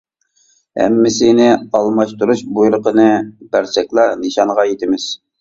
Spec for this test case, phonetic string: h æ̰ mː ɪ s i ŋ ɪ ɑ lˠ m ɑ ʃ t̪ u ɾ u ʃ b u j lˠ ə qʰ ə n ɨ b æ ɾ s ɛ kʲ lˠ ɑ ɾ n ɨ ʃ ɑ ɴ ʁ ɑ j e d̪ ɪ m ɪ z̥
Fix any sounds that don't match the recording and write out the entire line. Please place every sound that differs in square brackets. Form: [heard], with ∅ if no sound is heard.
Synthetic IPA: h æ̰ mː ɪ s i [n] ɪ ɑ lˠ m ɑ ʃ t̪ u ɾ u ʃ b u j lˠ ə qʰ ə n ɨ b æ ɾ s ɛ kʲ lˠ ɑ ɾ n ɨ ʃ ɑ ɴ ʁ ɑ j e [t̪] ɪ m ɪ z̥